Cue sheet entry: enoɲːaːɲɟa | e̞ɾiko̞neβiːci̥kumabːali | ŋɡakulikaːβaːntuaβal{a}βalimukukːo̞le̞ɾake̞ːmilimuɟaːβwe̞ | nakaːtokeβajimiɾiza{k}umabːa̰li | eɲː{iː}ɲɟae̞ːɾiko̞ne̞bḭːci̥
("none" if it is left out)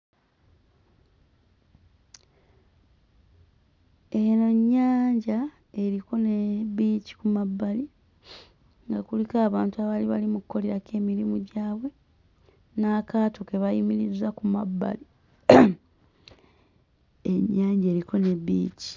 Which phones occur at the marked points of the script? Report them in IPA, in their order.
i, k, aː

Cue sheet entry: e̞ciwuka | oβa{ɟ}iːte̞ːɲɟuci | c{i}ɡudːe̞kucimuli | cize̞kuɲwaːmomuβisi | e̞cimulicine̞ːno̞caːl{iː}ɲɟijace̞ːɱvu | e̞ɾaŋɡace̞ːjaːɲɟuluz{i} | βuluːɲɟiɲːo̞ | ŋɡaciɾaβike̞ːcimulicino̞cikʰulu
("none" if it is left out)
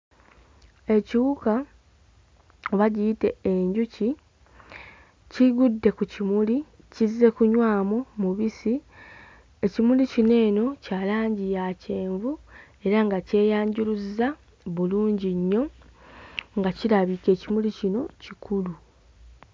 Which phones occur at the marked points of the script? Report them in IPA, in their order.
ɟ, i, aː, a

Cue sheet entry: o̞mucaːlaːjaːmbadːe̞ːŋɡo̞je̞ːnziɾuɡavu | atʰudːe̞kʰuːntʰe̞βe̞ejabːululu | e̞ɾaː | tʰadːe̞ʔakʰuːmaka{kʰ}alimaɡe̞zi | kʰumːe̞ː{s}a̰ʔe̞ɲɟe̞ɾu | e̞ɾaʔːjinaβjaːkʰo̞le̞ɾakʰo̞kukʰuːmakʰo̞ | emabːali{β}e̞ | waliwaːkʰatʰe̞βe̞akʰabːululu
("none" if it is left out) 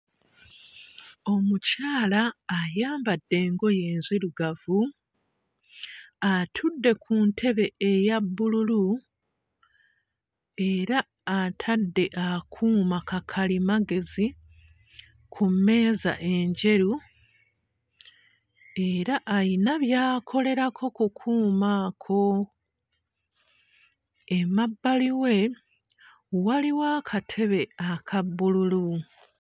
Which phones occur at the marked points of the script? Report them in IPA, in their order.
kʰ, z, w

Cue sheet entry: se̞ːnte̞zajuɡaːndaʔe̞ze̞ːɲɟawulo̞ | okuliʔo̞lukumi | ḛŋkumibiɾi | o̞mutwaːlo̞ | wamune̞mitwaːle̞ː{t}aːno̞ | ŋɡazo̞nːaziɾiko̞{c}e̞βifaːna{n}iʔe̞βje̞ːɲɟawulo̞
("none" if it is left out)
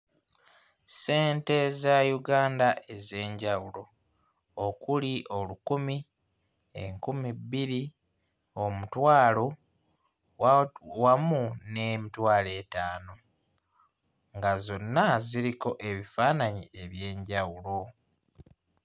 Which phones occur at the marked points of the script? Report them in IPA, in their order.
t, ʔ, ɲ

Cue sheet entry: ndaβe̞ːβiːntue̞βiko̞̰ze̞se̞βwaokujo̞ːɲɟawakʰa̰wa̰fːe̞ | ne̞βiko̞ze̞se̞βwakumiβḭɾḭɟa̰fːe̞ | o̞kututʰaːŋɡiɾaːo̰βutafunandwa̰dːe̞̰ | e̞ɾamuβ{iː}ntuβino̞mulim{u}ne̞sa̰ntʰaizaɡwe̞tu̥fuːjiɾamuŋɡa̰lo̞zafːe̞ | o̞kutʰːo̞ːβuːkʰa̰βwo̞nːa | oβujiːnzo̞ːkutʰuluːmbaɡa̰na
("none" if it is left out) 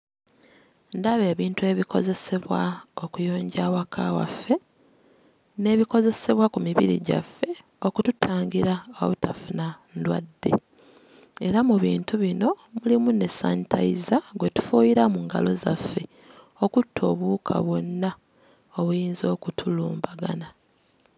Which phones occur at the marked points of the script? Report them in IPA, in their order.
iː, u

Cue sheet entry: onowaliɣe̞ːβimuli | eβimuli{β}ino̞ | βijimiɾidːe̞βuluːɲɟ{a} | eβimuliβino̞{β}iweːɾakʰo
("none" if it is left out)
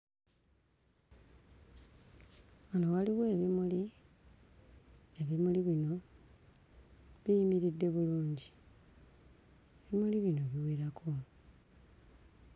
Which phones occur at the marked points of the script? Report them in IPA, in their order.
β, i, β

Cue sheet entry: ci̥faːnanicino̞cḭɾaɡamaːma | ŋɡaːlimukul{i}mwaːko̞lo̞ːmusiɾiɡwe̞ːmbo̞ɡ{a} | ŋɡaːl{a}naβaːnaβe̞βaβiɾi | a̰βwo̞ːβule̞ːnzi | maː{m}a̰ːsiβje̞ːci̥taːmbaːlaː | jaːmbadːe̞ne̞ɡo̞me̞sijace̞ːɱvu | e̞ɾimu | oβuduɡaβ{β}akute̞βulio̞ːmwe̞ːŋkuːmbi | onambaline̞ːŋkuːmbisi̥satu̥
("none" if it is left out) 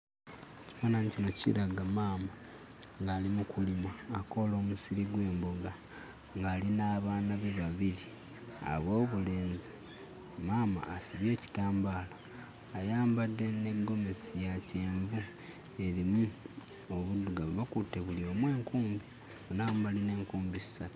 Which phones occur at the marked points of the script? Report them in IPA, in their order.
i, a, i, m, β

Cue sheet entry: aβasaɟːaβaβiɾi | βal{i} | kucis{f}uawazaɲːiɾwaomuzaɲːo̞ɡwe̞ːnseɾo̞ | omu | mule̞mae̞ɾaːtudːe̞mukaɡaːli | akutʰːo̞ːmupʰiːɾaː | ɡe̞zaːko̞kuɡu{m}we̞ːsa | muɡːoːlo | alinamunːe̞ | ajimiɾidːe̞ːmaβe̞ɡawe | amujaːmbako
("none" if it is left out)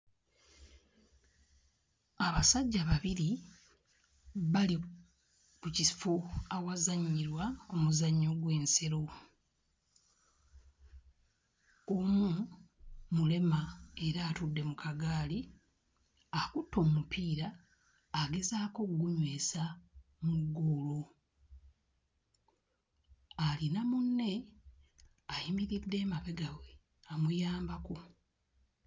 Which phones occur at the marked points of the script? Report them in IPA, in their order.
i, f, ɲ

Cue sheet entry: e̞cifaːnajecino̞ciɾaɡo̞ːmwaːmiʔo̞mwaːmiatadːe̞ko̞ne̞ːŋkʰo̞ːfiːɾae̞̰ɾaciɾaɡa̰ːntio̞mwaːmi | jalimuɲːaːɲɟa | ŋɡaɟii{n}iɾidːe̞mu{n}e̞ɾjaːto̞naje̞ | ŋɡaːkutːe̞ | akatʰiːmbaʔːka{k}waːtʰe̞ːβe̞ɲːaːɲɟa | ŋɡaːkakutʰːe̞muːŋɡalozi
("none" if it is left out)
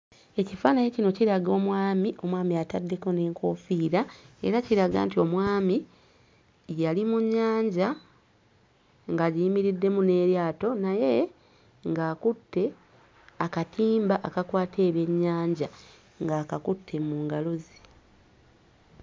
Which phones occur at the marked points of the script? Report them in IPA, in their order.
m, n, k

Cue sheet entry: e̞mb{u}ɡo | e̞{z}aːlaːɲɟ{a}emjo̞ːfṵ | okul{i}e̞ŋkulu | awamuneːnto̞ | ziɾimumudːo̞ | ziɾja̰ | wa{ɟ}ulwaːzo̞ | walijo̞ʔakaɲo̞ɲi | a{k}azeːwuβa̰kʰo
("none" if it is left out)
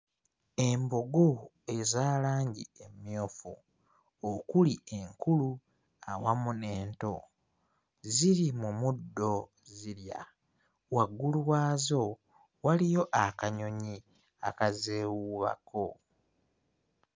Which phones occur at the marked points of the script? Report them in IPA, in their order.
o, z, i, i, ɡ, k

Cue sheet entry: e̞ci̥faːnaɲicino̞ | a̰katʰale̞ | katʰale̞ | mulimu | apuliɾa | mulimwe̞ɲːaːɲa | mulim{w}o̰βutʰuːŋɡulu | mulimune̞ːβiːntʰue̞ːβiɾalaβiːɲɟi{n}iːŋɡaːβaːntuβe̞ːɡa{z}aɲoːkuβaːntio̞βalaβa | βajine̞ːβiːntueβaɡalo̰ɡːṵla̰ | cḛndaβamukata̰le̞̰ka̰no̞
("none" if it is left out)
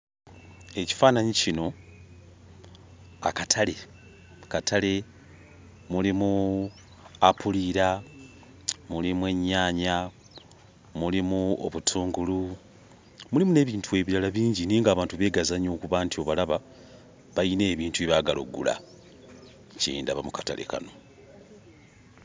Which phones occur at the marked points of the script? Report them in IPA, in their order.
u, n, z

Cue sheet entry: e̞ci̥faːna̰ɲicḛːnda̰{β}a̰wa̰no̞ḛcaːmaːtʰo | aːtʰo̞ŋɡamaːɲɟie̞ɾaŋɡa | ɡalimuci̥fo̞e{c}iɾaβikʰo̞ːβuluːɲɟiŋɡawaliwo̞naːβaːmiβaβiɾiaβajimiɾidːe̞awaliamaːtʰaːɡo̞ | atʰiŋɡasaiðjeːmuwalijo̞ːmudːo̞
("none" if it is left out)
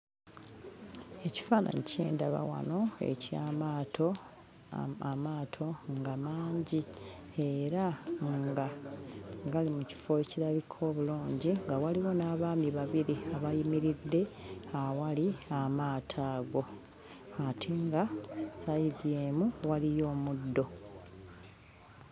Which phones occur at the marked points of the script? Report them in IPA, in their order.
β, c

